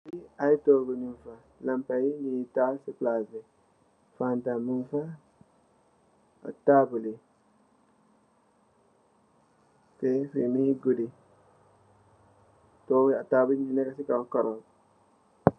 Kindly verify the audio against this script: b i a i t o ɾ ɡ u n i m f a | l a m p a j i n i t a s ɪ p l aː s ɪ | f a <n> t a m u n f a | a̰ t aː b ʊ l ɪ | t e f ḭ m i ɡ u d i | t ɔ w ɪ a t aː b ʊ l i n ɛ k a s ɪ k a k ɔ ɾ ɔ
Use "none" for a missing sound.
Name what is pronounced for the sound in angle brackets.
n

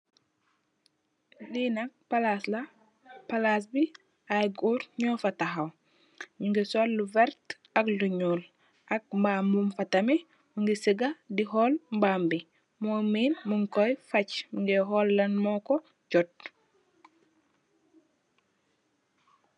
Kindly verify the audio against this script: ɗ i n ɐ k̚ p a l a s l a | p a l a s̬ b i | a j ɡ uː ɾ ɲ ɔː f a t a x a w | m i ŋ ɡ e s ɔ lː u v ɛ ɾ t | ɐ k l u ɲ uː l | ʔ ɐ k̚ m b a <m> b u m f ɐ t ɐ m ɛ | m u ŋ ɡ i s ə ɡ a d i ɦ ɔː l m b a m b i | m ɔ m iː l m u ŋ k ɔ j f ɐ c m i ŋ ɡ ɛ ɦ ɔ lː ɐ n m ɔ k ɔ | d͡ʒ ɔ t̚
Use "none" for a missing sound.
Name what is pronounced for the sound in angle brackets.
m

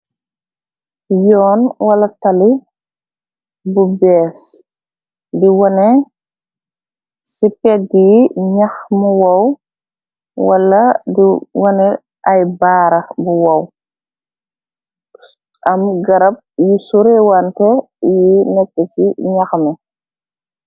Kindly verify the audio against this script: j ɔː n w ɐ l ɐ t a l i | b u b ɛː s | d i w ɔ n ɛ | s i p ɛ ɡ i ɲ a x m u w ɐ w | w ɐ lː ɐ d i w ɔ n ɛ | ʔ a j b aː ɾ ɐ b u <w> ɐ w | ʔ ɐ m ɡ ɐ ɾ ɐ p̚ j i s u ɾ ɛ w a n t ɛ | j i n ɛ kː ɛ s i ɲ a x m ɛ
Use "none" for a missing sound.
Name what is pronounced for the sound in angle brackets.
w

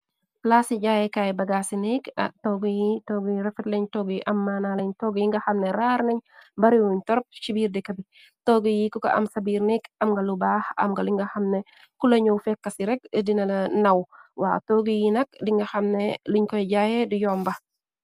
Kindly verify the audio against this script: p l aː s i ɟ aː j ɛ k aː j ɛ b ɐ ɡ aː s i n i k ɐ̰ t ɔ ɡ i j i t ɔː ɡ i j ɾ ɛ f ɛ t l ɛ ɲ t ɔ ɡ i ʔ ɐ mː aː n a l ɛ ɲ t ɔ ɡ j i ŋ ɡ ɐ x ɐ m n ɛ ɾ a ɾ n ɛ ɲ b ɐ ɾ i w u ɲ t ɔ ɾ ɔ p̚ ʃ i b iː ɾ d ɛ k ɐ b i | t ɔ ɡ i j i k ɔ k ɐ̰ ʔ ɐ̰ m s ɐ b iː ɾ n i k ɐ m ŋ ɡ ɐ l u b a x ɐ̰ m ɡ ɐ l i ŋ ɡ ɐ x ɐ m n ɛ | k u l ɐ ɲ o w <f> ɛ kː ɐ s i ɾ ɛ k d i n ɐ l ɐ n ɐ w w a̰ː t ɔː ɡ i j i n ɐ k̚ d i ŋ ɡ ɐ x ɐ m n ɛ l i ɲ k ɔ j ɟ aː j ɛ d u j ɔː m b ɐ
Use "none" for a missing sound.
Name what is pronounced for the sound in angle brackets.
f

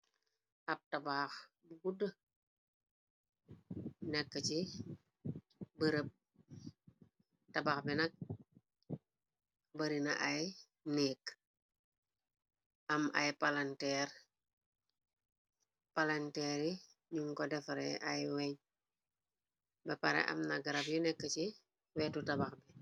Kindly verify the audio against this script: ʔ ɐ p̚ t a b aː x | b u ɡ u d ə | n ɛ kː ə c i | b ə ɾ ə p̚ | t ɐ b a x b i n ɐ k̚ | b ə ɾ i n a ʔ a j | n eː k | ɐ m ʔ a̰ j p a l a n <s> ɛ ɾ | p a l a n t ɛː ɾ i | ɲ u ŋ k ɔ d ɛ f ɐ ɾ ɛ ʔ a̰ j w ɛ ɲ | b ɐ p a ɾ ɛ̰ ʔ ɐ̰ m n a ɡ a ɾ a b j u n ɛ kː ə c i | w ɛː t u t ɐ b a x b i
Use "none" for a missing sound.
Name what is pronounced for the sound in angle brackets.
t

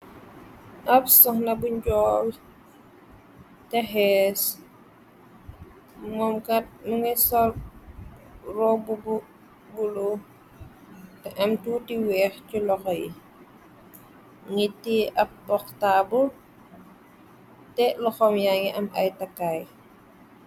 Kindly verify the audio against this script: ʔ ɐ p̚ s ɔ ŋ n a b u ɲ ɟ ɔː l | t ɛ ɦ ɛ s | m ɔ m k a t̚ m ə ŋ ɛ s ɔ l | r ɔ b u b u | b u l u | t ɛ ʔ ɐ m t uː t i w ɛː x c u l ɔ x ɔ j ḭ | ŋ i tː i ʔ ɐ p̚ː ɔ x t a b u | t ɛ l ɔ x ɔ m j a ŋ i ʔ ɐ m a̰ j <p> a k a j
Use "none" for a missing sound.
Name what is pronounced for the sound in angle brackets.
t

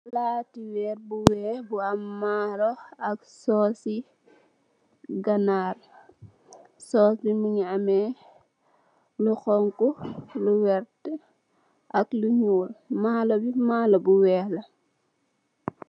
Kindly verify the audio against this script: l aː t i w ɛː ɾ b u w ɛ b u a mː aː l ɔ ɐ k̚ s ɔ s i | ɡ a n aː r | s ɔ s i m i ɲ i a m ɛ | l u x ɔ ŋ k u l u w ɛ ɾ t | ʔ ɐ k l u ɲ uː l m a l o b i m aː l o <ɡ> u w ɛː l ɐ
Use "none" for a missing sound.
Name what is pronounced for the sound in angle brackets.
b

